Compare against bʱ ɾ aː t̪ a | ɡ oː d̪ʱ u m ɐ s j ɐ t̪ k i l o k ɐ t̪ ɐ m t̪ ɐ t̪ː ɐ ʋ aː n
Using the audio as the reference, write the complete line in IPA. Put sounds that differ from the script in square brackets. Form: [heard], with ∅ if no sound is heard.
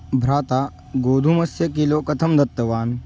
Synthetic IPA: bʱ ɾ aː t̪ a | ɡ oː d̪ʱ u m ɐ s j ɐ [∅] k i l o k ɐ [t̪ʰ] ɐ m [d̪] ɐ t̪ː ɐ ʋ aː n